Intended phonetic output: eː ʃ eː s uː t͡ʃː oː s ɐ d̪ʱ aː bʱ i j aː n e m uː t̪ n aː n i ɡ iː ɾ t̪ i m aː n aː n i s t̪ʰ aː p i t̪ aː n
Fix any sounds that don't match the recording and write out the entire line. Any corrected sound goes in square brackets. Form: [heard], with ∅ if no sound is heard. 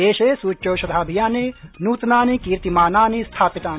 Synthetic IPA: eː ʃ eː s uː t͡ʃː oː [ʃ] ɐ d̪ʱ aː bʱ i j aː n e [n] uː t̪ n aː n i [k] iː ɾ t̪ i m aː n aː n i s t̪ʰ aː p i t̪ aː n